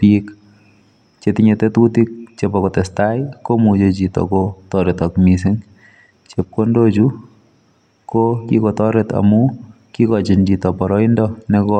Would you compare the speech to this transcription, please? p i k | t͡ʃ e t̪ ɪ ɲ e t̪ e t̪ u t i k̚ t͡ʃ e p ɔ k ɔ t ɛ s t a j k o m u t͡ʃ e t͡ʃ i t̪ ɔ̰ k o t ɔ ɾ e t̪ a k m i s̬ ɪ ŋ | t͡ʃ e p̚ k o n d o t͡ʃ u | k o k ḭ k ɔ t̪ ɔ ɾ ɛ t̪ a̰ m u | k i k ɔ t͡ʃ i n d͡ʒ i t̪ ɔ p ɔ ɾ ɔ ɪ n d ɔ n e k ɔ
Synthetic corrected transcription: p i k | t͡ʃ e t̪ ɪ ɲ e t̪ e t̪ u t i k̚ t͡ʃ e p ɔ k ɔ t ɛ s t a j k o m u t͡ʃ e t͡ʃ i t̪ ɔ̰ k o t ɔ ɾ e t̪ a k m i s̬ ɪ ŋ | t͡ʃ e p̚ k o n d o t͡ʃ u | k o k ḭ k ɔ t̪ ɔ ɾ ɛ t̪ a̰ m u | k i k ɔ t͡ʃ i n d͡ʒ i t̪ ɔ p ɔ ɾ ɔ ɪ n d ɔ n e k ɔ